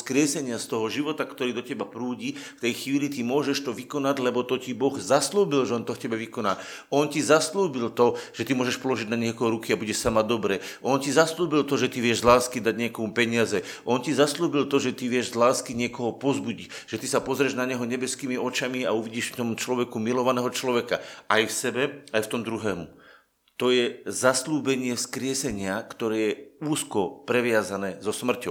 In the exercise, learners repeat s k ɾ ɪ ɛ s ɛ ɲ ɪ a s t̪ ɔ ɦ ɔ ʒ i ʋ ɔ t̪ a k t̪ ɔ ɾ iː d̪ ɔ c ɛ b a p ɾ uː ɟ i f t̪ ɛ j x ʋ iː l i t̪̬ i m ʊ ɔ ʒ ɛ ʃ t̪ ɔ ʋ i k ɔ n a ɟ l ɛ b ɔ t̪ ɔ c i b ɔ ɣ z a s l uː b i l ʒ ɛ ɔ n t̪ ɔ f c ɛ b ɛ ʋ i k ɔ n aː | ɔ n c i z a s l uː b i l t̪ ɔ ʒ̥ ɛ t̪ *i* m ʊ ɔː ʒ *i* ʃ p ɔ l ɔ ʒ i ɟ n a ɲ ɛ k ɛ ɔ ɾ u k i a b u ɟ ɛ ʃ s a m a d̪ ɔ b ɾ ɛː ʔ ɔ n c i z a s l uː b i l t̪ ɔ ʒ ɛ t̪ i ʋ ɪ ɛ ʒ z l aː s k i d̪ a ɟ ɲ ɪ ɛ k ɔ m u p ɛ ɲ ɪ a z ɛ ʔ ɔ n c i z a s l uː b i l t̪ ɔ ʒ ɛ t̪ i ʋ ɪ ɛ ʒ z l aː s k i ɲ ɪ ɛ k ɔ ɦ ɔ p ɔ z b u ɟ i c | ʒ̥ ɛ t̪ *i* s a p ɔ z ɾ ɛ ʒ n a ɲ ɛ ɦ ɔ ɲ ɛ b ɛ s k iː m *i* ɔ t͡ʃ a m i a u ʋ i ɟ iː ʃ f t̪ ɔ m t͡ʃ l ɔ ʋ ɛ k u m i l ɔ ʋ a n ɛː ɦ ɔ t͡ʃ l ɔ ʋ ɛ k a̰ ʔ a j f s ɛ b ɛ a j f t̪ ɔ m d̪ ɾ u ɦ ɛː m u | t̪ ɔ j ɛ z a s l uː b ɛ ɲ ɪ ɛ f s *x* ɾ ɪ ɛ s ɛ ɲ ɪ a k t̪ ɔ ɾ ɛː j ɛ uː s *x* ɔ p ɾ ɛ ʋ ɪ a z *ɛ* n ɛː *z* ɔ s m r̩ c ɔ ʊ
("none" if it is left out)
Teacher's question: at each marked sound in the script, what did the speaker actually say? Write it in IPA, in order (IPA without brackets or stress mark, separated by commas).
i, ɛ, i, i, k, k, a, z